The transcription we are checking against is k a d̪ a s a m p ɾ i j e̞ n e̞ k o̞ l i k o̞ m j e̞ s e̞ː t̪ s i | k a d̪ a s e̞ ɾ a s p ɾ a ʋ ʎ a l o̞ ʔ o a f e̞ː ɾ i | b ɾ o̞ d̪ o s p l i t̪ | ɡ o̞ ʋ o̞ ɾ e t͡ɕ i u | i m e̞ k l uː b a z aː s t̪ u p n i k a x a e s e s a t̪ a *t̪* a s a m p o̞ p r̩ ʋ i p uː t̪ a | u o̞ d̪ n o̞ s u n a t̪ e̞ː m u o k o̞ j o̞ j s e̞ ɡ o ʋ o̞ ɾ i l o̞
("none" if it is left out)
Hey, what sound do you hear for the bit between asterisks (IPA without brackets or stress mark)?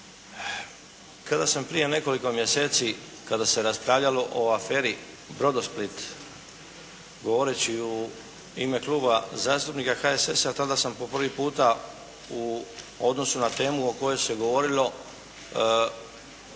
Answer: d̪